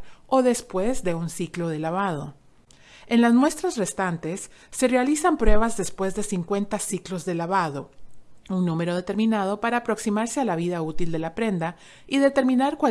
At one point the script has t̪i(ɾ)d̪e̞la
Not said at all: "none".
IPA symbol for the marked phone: l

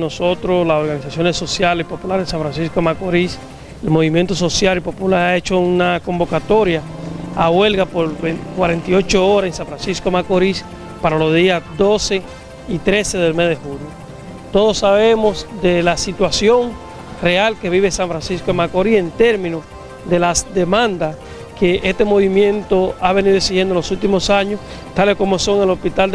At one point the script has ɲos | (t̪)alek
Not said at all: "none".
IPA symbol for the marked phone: t̪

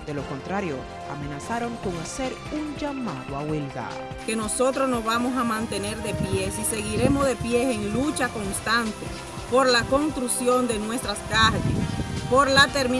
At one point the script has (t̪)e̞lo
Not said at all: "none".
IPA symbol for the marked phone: d̪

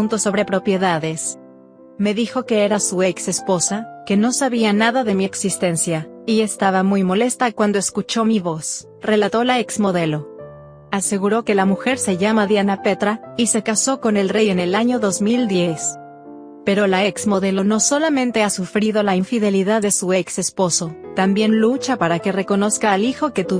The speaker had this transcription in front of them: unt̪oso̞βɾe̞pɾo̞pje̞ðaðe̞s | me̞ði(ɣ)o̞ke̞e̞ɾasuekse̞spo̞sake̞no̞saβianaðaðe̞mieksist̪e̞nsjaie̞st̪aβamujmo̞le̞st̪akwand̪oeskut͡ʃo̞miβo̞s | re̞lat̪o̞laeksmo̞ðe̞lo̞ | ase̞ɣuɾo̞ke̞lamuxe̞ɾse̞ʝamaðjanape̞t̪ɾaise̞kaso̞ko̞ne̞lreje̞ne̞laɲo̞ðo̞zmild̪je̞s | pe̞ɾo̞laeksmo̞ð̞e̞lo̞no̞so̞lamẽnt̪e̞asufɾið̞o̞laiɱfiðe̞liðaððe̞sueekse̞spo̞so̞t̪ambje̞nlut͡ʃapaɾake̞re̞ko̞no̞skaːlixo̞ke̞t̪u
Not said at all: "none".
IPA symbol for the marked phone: x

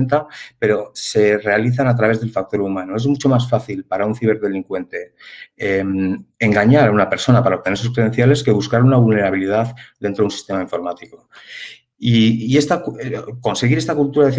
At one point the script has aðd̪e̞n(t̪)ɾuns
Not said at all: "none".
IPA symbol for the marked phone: t̪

